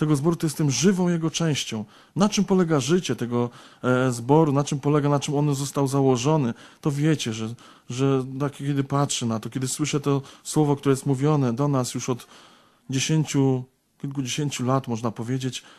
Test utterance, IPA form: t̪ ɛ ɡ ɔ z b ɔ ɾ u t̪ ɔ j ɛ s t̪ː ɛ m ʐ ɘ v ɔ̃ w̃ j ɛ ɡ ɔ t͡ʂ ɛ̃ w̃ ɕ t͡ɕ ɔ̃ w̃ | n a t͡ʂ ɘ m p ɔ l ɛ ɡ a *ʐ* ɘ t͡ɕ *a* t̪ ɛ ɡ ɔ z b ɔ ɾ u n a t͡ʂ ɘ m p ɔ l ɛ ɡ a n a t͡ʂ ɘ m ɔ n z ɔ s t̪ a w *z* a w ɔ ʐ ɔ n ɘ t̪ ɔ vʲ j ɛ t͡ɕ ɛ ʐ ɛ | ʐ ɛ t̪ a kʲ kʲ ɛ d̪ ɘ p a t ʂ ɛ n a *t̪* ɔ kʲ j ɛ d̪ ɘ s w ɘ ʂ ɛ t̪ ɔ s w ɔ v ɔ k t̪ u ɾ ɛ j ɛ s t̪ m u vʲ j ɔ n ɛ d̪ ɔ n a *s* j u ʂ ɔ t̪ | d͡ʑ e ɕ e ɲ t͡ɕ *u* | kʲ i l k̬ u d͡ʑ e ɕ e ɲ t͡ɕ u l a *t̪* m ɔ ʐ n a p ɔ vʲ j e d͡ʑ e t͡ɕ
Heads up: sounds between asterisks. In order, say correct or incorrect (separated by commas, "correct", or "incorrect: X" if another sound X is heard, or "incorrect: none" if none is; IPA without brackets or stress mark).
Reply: correct, incorrect: ɛ, correct, correct, correct, correct, correct